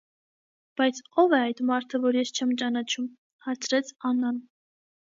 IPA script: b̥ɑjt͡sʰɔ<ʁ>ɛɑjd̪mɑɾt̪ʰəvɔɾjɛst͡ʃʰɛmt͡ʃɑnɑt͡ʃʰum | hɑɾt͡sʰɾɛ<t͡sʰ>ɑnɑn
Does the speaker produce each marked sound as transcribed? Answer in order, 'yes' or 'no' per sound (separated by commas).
no, yes